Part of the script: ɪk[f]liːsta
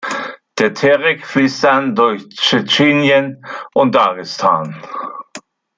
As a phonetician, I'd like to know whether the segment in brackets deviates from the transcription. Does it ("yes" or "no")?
no